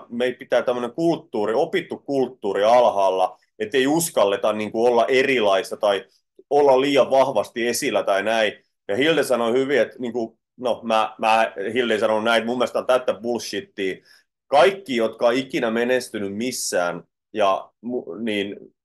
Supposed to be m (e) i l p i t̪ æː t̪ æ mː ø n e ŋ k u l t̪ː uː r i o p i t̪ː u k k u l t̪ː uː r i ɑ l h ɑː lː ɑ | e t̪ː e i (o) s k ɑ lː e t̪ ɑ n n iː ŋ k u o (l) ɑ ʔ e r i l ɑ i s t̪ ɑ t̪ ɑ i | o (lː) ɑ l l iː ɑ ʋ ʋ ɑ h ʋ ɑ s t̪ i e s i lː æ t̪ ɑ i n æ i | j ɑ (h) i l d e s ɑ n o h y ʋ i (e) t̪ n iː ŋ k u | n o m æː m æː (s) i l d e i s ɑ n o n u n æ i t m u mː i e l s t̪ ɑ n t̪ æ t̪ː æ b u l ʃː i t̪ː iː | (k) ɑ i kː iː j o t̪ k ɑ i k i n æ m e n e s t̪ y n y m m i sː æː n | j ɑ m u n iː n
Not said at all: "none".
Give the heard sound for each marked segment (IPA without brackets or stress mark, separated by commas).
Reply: e, u, lː, lː, h, e, h, k